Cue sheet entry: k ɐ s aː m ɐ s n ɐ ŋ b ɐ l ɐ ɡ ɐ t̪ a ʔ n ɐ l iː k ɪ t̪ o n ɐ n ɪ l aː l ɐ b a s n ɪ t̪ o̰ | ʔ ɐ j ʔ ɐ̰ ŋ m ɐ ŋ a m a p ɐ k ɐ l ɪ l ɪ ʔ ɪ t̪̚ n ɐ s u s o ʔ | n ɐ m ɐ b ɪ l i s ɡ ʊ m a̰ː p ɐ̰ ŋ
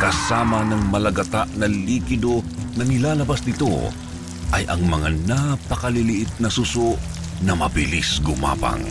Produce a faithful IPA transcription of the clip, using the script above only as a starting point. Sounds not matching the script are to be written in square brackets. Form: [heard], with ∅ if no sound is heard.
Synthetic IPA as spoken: k ɐ s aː m ɐ [∅] n ɐ ŋ [m] ɐ l ɐ ɡ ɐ t̪ a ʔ n ɐ l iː k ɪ [d̪] o n ɐ n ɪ l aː l ɐ b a s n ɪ t̪ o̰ | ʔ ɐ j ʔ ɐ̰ ŋ m ɐ ŋ a [n] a p ɐ k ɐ l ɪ l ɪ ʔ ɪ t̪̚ n ɐ s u s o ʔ | n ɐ m ɐ b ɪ l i s ɡ ʊ m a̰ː p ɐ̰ ŋ